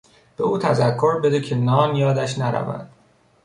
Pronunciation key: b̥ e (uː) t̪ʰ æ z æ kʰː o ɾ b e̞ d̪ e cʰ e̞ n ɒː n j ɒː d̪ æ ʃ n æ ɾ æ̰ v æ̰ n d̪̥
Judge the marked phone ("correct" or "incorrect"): correct